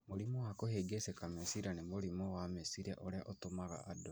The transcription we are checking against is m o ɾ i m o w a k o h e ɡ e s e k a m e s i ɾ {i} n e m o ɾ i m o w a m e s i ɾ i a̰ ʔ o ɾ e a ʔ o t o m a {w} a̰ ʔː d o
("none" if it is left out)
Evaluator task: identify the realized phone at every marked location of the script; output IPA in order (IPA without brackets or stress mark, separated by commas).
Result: a, ɣ